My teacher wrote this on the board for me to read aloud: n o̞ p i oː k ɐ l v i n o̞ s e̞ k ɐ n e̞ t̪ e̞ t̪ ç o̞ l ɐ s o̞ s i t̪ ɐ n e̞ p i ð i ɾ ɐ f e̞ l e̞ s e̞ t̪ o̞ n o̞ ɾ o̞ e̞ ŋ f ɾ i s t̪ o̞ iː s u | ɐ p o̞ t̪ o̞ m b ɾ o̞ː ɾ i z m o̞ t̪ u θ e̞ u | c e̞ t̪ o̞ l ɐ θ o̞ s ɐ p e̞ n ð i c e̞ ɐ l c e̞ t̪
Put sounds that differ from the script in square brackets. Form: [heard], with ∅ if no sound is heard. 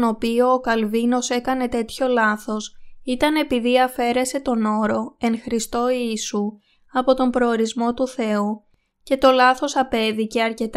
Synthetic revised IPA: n o̞ p i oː k ɐ l v i n o̞ s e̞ k ɐ n e̞ t̪ e̞ t̪ ç o̞ l ɐ [θ] o̞ s i t̪ ɐ n e̞ p i ð i [∅] ɐ f e̞ [ɾ] e̞ s e̞ t̪ o̞ n o̞ ɾ o̞ e̞ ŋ [x] ɾ i s t̪ o̞ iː s u | ɐ p o̞ t̪ o̞ m b ɾ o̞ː ɾ i z m o̞ t̪ u θ e̞ u | c e̞ t̪ o̞ l ɐ θ o̞ s ɐ p e̞ [∅] ð i c e̞ ɐ [ɾ] c e̞ t̪